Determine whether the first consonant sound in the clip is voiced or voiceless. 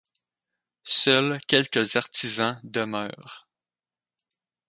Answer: voiceless